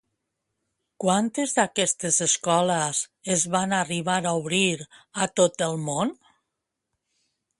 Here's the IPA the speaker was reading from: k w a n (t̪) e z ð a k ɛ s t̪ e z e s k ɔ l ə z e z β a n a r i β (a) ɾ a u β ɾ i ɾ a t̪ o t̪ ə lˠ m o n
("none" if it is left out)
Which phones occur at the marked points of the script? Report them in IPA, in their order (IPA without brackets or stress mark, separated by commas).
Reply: t̪, a